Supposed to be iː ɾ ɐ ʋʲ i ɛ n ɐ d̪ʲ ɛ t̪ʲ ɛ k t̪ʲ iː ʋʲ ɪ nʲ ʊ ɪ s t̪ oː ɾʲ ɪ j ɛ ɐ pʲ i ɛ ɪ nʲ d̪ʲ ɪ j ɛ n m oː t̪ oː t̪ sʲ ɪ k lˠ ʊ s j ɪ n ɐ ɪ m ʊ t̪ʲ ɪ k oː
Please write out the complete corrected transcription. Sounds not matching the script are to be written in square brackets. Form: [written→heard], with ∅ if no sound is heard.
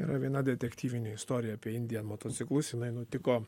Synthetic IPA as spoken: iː ɾ ɐ ʋʲ i ɛ n ɐ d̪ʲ ɛ t̪ʲ ɛ k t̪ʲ iː ʋʲ ɪ nʲ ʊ ɪ s t̪ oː ɾʲ ɪ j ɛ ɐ pʲ i ɛ ɪ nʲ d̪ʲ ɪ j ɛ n m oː t̪ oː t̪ sʲ ɪ k lˠ ʊ s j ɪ n ɐ ɪ [m→n] ʊ t̪ʲ ɪ k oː